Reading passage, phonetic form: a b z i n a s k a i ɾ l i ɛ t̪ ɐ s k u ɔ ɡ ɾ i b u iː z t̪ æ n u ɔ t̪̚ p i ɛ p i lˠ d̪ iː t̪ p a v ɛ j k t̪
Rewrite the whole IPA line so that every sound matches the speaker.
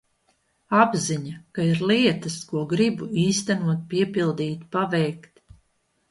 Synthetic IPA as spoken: a b z i ɲ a k a i ɾ l i ɛ t̪ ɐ s k u ɔ ɡ ɾ i b u iː s t̪ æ n u ɔ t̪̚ p i ɛ p i lˠ d̪ iː t̪ p a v ɛ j k t̪